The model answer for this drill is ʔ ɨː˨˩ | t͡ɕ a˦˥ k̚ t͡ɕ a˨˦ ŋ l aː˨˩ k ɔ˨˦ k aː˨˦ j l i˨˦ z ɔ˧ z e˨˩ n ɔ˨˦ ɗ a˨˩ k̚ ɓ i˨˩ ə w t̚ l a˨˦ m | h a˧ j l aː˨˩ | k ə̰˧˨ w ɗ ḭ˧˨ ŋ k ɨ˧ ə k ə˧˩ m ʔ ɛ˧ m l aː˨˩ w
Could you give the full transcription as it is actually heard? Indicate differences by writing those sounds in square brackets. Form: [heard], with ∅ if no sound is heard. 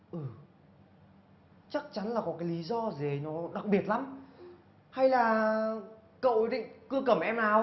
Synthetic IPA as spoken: ʔ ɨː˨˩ | t͡ɕ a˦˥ k̚ t͡ɕ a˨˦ [n] l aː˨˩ k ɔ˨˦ k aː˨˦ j l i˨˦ z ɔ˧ z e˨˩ n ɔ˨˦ ɗ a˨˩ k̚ ɓ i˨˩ ə [∅] t̚ l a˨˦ m | h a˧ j l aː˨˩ | k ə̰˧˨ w ɗ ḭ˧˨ ŋ k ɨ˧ ə k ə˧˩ m ʔ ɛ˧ m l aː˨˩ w

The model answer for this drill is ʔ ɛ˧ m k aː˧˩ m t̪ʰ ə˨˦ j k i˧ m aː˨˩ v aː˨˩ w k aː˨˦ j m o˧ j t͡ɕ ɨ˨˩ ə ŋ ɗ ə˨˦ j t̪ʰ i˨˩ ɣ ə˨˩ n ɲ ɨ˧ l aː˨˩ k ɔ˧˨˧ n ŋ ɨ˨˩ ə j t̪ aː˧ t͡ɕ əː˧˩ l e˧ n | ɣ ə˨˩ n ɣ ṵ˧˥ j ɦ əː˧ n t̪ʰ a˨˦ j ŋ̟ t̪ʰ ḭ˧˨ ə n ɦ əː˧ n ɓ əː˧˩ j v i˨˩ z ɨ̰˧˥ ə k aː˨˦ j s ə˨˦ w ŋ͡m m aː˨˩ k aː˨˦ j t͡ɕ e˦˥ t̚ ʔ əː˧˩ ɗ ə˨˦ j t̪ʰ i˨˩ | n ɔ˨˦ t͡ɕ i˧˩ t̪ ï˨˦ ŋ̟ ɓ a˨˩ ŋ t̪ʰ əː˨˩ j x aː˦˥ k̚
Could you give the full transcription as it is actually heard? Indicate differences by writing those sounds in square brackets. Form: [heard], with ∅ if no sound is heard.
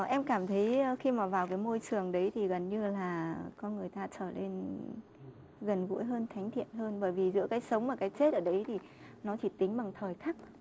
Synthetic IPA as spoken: ʔ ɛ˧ m k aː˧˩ m t̪ʰ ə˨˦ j [x] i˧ m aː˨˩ v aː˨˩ w k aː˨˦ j m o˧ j t͡ɕ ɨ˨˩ ə ŋ ɗ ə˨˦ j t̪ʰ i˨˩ ɣ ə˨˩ n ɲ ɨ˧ l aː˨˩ k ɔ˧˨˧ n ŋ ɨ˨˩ ə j t̪ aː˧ t͡ɕ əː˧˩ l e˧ n | ɣ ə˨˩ n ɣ ṵ˧˥ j ɦ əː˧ n t̪ʰ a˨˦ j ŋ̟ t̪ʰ ḭ˧˨ ə n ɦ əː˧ n ɓ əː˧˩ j v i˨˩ z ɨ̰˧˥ ə k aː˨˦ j s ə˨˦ w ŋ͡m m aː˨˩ k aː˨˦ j t͡ɕ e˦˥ t̚ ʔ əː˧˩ ɗ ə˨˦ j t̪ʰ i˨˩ | n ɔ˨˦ t͡ɕ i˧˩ t̪ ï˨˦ ŋ̟ ɓ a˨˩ ŋ t̪ʰ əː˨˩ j x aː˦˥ k̚

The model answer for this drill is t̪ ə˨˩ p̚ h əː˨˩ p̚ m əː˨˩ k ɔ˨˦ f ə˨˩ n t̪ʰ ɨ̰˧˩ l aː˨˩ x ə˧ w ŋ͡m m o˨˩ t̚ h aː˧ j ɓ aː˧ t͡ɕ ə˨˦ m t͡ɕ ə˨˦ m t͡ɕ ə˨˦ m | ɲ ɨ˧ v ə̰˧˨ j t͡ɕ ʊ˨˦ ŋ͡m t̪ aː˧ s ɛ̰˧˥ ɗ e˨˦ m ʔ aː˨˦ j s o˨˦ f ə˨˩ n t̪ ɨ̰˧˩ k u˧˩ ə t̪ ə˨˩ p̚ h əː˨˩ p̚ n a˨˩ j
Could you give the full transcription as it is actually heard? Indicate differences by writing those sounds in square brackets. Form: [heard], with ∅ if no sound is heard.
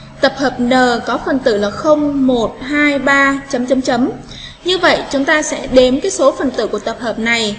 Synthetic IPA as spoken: t̪ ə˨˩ p̚ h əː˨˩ p̚ [n] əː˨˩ k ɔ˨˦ f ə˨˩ n [t̪] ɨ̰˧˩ l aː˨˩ x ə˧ w ŋ͡m m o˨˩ t̚ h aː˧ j ɓ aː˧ t͡ɕ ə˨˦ m t͡ɕ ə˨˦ m t͡ɕ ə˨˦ m | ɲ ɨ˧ v ə̰˧˨ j t͡ɕ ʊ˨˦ ŋ͡m t̪ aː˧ s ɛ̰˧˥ ɗ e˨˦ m [k] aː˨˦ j s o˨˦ f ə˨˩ n t̪ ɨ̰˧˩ k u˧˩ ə t̪ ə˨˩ p̚ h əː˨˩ p̚ n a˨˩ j

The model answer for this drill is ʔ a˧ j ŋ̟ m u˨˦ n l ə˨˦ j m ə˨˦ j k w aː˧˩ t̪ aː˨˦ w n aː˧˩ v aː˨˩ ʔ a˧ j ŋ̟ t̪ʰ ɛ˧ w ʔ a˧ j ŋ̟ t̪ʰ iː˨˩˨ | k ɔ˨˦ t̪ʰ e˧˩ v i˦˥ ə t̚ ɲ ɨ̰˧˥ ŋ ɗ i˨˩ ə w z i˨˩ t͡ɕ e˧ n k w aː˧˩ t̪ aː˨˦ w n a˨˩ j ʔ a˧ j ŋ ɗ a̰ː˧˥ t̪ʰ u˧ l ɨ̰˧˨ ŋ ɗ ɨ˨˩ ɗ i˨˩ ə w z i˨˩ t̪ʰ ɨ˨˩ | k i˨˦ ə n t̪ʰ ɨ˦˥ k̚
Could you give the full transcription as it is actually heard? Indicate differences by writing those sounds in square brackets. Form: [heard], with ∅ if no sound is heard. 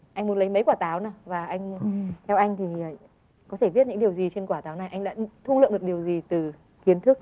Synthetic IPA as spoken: ʔ a˧ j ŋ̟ m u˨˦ n l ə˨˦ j m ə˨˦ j k w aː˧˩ t̪ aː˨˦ w n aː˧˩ v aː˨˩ ʔ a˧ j ŋ̟ t̪ʰ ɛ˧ w ʔ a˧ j ŋ̟ t̪ʰ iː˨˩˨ | k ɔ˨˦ t̪ʰ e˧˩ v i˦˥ ə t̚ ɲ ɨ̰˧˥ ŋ ɗ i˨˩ ə w z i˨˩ t͡ɕ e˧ n k w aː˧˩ t̪ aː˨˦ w n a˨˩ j ʔ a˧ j ŋ ɗ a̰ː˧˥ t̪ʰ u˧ l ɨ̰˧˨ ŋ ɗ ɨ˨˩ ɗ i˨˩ ə w z i˨˩ [t̪] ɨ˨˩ | k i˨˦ ə n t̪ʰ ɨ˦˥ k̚

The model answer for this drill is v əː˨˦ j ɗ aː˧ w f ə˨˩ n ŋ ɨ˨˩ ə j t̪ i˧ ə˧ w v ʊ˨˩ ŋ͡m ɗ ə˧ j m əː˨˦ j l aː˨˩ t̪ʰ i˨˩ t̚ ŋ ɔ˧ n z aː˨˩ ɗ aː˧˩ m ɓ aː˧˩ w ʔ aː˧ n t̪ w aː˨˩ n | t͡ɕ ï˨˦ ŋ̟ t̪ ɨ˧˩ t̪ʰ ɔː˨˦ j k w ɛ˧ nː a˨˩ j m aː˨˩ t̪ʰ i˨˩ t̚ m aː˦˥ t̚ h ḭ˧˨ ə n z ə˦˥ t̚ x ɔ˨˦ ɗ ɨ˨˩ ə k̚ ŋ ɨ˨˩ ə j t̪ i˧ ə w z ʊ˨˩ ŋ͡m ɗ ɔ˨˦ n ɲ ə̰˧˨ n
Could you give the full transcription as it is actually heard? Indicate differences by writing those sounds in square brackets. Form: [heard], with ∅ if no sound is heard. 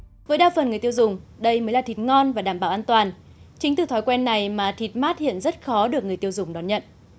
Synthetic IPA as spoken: v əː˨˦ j ɗ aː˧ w f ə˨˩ n ŋ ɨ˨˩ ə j t̪ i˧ ə˧ w [z] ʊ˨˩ ŋ͡m ɗ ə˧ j m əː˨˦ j l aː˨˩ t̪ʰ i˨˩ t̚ ŋ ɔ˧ n [v] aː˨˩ ɗ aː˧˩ m ɓ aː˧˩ w ʔ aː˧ n t̪ w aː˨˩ n | t͡ɕ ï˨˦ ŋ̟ t̪ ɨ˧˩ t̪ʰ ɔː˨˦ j k w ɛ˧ nː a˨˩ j m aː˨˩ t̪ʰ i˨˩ t̚ m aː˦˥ t̚ h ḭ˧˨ ə n z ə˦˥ t̚ x ɔ˨˦ ɗ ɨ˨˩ ə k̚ ŋ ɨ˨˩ ə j t̪ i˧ ə w z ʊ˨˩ ŋ͡m ɗ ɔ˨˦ n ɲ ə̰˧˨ n

